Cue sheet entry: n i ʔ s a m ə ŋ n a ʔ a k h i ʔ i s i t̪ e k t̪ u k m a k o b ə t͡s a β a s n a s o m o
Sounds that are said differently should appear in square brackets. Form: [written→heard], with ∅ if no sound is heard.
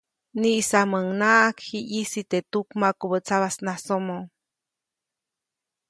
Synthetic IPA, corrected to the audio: n i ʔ s a m ə ŋ n a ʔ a k h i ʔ i s i t̪ e [k→∅] t̪ u k m a k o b ə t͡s a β a s n a s o m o